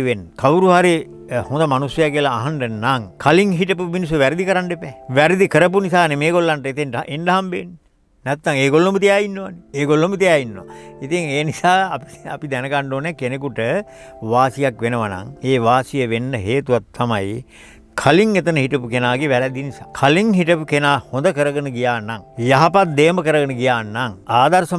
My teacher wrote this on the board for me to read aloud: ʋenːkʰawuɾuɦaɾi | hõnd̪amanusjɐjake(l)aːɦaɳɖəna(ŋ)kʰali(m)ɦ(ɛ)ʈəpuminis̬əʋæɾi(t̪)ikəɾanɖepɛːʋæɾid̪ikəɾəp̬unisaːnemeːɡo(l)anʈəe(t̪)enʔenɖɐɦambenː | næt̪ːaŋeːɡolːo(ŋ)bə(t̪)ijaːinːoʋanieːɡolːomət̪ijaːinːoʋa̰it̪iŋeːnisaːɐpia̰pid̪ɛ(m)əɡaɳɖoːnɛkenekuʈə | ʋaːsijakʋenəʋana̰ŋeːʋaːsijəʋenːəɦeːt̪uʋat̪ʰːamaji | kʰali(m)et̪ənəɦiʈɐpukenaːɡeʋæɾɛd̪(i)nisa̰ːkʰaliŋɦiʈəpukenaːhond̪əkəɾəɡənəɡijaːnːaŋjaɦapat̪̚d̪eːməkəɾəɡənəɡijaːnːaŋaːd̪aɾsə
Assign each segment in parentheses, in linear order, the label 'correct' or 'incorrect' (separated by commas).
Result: correct, correct, incorrect, incorrect, incorrect, incorrect, correct, incorrect, correct, incorrect, incorrect, correct